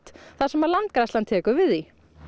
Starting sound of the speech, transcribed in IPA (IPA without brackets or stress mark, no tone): t̪